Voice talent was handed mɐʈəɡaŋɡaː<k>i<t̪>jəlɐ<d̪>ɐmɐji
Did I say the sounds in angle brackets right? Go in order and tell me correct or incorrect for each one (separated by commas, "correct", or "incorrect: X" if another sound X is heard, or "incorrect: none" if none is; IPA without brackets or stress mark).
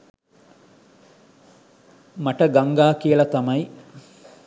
correct, incorrect: none, incorrect: t̪